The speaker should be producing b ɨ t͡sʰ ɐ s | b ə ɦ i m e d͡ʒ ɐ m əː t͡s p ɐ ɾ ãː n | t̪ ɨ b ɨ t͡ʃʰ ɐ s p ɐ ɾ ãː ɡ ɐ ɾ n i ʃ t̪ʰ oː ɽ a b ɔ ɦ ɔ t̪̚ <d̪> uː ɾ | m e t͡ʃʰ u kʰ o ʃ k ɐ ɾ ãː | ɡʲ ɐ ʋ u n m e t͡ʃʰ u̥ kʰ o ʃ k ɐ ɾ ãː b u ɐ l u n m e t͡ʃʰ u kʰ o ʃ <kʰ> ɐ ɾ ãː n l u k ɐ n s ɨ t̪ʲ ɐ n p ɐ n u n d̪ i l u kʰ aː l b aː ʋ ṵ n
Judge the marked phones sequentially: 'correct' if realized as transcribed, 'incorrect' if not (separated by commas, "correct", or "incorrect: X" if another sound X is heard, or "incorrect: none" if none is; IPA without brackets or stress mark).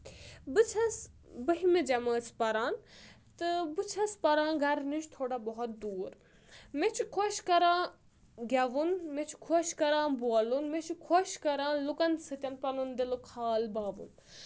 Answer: correct, incorrect: k